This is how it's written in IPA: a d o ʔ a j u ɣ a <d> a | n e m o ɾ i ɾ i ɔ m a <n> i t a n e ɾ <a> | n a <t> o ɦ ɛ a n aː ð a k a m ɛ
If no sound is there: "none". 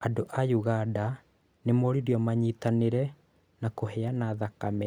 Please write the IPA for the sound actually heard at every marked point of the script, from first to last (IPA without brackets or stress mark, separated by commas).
d, ɲ, ɛ, k